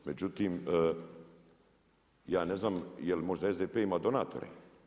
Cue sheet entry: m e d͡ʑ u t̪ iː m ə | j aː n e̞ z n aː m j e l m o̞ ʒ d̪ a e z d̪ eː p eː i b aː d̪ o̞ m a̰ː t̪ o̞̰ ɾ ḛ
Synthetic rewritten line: m e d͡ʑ u t̪ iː m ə | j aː n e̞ z n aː m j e l m o̞ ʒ d̪ a e z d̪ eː p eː i m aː d̪ o̞ n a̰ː t̪ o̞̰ ɾ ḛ